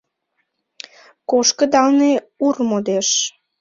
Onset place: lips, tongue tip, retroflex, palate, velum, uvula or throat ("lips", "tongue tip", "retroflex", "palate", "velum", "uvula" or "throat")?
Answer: velum